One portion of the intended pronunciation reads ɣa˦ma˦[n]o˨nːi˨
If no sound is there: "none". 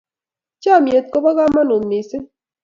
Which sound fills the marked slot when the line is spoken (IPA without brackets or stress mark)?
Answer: n